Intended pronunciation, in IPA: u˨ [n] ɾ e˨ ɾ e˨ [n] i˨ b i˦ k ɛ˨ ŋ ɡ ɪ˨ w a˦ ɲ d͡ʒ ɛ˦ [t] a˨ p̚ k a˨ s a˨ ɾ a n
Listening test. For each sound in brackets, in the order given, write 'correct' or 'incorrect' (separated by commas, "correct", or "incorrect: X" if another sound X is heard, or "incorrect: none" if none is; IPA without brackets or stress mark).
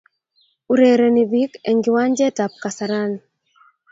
incorrect: none, correct, correct